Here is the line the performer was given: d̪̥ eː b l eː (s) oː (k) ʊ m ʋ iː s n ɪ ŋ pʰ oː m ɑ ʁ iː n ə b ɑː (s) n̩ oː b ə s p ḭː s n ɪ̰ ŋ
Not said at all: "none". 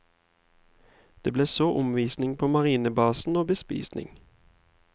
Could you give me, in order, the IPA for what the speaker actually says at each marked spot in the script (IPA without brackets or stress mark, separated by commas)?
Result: s, ʔ, s